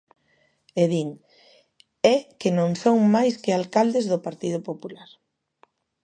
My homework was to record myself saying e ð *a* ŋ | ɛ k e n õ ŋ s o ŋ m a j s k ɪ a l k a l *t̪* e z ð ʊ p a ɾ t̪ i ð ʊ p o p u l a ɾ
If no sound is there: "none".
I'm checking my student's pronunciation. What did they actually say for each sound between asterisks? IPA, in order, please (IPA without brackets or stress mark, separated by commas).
i, d̪